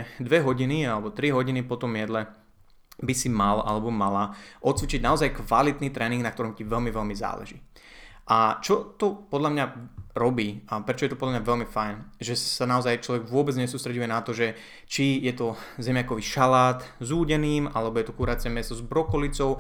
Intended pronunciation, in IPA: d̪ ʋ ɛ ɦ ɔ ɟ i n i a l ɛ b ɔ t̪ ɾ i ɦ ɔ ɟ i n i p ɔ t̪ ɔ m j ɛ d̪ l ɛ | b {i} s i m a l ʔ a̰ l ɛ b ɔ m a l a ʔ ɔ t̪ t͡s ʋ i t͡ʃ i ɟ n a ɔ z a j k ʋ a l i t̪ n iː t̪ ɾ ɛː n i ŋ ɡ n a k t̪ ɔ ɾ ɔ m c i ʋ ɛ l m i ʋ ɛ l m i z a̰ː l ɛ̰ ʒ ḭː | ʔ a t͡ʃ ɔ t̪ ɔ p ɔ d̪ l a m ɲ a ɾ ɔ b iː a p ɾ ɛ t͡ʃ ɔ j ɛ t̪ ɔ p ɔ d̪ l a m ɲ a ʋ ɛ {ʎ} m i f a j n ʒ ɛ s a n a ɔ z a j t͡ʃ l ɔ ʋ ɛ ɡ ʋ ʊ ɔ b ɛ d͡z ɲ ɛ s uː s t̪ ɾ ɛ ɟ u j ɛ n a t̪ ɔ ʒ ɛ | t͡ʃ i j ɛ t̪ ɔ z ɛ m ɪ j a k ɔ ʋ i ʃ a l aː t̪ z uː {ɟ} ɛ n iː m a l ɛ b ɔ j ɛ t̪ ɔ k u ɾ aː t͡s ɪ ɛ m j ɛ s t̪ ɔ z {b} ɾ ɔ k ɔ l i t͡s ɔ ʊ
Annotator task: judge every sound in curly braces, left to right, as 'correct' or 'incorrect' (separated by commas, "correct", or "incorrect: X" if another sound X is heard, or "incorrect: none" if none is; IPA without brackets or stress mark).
correct, incorrect: l, correct, correct